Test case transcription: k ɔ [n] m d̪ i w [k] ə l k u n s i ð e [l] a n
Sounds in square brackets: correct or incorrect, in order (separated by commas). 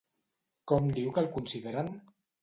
incorrect, correct, incorrect